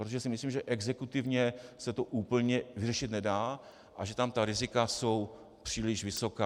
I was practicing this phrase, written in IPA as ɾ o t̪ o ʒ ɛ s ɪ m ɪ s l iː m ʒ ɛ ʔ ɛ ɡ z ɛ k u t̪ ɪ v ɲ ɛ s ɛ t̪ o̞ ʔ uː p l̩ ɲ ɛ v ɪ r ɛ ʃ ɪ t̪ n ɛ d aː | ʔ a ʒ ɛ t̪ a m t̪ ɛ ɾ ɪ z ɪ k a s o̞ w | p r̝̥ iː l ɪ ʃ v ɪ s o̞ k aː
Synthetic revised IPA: ɾ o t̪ o ʒ ɛ s ɪ m ɪ s l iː m ʒ ɛ ʔ ɛ ɡ z ɛ k u t̪ ɪ v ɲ ɛ s ɛ t̪ o̞ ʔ uː p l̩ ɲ ɛ v ɪ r ɛ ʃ ɪ t̪ n ɛ d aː | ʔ a ʒ ɛ t̪ a m t̪ a ɾ ɪ z ɪ k a s o̞ w | p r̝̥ iː l ɪ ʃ v ɪ s o̞ k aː